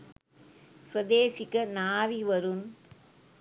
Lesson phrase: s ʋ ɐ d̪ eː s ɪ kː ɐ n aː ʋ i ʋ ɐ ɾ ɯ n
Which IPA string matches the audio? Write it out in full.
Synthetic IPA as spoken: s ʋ ɐ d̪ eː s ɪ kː ɐ n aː ʋ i ʋ ɐ ɾ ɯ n